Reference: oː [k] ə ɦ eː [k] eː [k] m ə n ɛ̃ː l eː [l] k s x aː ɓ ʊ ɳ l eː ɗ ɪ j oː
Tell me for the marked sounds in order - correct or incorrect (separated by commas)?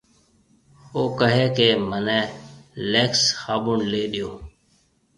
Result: correct, correct, incorrect, incorrect